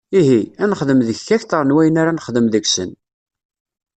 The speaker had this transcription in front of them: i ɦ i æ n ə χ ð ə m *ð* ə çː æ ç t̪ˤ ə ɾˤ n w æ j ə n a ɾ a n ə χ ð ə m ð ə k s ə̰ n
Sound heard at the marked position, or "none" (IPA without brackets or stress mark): ð